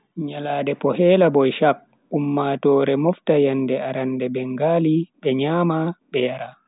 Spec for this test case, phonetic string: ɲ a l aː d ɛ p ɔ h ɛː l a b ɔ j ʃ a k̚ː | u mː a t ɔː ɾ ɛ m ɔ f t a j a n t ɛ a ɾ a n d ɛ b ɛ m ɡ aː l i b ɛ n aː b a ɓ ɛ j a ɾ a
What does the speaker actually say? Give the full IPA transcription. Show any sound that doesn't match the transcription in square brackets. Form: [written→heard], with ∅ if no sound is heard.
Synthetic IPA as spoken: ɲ a l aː d ɛ p ɔ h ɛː l a b ɔ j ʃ a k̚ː | u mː a t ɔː ɾ ɛ m ɔ f t a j a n [t→d] ɛ a ɾ a n d ɛ b ɛ [m→ŋ] ɡ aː l i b ɛ [n→ɲ] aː [b→m] a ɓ ɛ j a ɾ a